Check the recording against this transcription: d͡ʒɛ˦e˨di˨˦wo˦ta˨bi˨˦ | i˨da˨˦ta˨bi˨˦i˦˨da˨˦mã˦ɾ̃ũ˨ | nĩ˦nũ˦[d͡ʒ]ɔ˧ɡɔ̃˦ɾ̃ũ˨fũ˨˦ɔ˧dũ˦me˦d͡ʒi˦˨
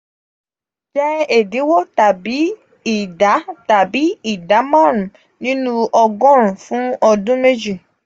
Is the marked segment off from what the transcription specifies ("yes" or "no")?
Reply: yes